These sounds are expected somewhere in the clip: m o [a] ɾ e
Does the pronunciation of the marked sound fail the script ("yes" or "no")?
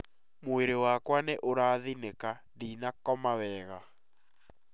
yes